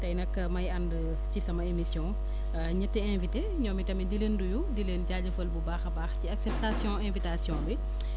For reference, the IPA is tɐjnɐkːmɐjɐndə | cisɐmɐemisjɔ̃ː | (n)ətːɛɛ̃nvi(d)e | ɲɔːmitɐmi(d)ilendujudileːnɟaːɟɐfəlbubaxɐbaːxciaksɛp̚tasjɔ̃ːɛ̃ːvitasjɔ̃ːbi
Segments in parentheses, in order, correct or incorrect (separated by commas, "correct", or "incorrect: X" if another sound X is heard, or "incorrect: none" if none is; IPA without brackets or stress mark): incorrect: ɲ, incorrect: t, correct